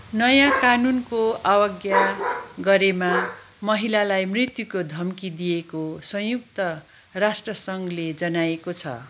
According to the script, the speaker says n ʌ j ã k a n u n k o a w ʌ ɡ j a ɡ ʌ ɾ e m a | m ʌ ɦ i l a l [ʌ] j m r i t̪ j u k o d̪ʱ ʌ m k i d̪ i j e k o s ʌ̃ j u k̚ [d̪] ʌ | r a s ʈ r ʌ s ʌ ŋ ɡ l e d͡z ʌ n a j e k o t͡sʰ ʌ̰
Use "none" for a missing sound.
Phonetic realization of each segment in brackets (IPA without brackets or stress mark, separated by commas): a, t̪